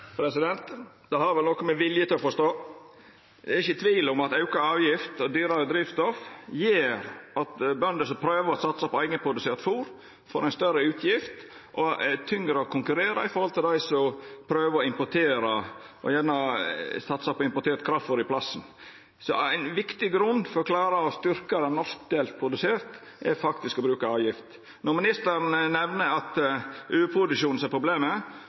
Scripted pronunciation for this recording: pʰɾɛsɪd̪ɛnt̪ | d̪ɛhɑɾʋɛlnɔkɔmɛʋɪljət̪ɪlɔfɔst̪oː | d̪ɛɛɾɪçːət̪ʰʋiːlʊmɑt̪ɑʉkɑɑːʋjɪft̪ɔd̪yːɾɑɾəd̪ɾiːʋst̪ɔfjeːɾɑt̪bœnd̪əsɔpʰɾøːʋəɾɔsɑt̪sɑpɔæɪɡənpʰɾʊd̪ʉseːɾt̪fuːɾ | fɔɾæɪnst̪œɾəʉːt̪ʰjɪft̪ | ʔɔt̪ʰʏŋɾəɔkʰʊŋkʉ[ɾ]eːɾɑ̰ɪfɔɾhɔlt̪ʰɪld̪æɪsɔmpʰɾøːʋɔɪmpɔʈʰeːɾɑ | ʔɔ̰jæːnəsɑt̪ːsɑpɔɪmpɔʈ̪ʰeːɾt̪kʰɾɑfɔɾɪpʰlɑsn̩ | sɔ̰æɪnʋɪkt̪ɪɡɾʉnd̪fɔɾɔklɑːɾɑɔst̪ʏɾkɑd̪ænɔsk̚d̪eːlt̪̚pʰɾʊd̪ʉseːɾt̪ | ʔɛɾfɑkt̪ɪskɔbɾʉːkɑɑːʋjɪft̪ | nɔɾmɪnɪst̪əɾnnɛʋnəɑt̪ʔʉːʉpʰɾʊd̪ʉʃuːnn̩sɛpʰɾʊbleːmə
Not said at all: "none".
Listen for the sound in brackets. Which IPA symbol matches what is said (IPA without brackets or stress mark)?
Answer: ɾ